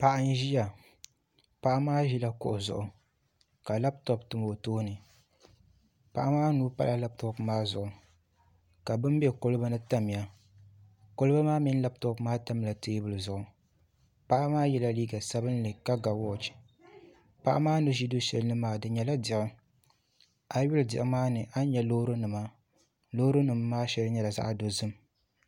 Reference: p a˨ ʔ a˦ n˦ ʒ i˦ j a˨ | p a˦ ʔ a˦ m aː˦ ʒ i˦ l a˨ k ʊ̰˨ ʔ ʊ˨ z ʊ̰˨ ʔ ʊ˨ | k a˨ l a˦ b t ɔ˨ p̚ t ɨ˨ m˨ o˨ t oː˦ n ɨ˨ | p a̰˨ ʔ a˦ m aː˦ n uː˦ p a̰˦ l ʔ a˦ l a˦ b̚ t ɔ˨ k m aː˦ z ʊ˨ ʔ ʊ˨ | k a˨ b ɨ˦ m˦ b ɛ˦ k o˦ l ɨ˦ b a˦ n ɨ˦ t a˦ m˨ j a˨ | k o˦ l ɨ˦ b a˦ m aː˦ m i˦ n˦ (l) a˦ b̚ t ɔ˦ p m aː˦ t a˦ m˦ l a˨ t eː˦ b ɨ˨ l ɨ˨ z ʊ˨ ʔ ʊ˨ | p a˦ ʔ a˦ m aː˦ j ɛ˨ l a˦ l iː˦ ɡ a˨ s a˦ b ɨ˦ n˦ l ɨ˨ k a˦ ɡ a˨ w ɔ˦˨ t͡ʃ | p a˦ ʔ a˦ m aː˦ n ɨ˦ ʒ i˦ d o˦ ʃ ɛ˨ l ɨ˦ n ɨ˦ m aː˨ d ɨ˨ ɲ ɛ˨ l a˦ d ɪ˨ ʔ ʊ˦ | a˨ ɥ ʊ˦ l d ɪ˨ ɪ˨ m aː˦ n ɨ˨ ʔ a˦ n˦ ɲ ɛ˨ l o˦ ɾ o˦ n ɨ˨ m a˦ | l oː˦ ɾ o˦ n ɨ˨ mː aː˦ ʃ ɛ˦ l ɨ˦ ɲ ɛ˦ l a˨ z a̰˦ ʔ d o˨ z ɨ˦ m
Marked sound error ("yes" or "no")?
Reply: no